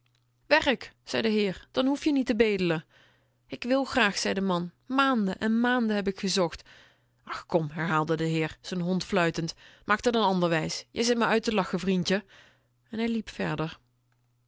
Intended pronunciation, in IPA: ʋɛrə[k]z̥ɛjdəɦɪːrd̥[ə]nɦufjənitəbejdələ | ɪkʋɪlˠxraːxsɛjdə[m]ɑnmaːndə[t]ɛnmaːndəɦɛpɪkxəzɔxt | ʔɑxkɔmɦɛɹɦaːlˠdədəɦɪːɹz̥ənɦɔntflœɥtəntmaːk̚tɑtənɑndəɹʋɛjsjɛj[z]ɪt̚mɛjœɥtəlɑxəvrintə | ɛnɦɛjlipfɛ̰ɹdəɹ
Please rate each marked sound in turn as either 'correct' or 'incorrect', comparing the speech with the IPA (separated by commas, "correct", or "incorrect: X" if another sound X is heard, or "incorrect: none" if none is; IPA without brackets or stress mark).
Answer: correct, incorrect: ɑ, correct, incorrect: ʔ, correct